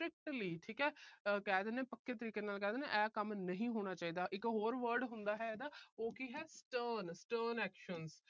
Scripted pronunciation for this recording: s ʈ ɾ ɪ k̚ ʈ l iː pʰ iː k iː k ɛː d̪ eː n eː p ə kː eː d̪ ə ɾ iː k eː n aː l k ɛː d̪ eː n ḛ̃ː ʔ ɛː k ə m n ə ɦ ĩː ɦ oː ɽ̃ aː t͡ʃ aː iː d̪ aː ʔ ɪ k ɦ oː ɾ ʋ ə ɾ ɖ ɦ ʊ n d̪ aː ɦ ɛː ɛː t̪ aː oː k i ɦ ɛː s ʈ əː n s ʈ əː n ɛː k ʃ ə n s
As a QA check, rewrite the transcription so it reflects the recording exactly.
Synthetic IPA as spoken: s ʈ ɾ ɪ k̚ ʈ l iː ʈʰ iː k ɛː k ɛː d̪ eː n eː p ə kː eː t̪ ə ɾ iː k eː n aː l k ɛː d̪ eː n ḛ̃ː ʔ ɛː k ə m n ə ɦ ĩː ɦ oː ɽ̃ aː t͡ʃ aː iː d̪ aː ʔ ɪ k ɦ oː ɾ ʋ ə ɾ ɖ ɦ ʊ n d̪ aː ɦ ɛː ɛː d̪ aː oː k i ɦ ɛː s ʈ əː n s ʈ əː n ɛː k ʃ ə n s